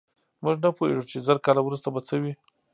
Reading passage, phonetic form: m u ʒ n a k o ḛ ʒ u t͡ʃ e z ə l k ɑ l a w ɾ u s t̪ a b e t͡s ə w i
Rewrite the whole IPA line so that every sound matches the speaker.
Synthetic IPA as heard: m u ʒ n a p o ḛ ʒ u t͡ʃ e z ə ɾ k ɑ l a w ɾ u s t̪ a b a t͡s ə w i